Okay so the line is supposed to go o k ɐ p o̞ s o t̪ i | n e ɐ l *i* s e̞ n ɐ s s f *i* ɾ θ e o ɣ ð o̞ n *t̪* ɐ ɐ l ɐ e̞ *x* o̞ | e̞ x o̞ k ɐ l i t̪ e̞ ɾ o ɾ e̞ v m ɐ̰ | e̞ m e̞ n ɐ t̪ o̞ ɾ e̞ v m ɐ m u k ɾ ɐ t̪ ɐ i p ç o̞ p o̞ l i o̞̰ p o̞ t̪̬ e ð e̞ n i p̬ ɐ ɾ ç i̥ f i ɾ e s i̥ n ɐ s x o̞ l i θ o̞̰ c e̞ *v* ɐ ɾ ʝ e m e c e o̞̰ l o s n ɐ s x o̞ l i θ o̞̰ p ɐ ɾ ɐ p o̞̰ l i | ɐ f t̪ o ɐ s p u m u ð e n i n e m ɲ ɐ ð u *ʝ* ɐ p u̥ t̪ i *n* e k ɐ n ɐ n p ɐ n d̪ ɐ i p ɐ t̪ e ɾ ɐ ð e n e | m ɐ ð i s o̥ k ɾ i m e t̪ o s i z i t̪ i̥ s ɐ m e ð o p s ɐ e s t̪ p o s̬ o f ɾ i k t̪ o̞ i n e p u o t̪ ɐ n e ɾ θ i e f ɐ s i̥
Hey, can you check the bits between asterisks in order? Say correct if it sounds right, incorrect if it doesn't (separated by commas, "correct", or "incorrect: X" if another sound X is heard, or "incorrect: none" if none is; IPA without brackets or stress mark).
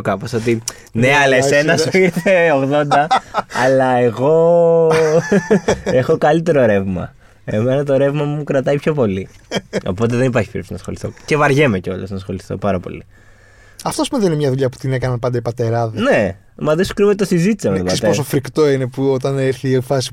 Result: incorrect: e, correct, incorrect: d̪, incorrect: ɣ, correct, incorrect: ʎ, correct